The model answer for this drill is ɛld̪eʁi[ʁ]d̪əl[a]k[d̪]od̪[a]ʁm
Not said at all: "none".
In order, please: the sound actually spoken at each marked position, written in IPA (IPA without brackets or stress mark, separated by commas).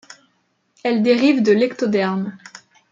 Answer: v, ɛ, t̪, ɛ